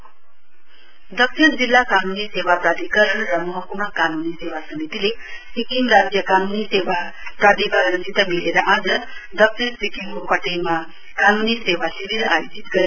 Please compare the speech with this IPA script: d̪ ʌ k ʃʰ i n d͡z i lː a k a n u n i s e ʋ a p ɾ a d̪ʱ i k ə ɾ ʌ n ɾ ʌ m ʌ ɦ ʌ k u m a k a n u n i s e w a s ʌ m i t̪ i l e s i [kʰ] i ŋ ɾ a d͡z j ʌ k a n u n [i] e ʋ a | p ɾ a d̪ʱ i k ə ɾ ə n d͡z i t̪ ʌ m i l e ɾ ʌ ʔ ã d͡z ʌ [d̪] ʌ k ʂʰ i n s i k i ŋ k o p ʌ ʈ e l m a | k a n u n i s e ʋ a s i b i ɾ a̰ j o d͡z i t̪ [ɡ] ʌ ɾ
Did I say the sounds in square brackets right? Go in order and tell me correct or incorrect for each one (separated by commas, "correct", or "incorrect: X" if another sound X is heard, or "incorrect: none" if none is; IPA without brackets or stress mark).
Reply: incorrect: k, correct, correct, correct